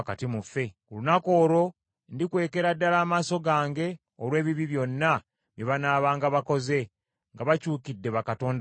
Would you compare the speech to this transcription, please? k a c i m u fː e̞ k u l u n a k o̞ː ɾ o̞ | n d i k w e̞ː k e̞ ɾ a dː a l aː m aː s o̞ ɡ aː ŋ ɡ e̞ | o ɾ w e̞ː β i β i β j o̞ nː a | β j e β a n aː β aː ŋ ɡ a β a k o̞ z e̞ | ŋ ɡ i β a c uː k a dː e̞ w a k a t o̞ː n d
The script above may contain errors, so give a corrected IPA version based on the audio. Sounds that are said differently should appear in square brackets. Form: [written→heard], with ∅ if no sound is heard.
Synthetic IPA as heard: k a [c→t] i m u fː e̞ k u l u n a k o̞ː ɾ o̞ | n d i k w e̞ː k e̞ ɾ a dː a l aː m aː s o̞ ɡ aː ŋ ɡ e̞ | o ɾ w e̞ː β i β i β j o̞ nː a | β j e β a n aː β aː ŋ ɡ a β a k o̞ z e̞ | ŋ ɡ [i→a] β a c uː k [a→i] dː e̞ [w→β] a k a t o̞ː n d